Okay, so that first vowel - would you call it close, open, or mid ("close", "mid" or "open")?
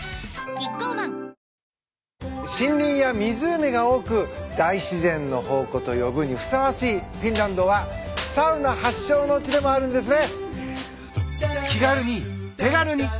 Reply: close